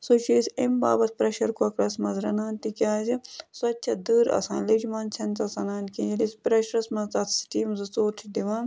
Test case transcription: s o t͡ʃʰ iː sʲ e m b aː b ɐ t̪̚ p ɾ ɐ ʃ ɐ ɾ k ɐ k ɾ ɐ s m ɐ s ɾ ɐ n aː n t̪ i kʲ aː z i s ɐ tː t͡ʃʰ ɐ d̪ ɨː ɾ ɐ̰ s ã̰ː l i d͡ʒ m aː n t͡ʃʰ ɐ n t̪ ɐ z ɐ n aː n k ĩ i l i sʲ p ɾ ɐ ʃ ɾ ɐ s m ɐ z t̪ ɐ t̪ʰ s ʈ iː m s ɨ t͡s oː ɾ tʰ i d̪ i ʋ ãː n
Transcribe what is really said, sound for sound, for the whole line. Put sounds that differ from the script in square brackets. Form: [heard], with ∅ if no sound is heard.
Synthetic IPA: s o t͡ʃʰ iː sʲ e m b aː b ɐ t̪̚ p ɾ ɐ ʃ ɐ ɾ k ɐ k ɾ ɐ s m ɐ [z] ɾ ɐ n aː n t̪ i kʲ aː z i s ɐ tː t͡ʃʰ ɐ d̪ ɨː ɾ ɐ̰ s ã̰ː l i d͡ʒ m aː n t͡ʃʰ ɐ n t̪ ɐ [s] ɐ n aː n k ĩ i l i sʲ p ɾ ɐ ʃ ɾ ɐ s m ɐ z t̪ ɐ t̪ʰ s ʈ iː m [z] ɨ t͡s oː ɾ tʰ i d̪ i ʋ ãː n